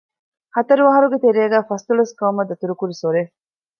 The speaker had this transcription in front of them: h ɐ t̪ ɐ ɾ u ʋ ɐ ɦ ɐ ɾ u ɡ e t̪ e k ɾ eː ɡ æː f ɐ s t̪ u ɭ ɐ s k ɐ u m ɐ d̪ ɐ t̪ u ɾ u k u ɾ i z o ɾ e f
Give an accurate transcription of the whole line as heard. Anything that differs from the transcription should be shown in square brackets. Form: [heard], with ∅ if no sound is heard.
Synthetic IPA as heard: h ɐ t̪ ɐ ɾ u ʋ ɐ ɦ ɐ ɾ u ɡ e t̪ e [∅] ɾ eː ɡ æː f ɐ s t̪ u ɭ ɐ s k ɐ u m ɐ d̪ ɐ t̪ u ɾ u k u ɾ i [s] o ɾ e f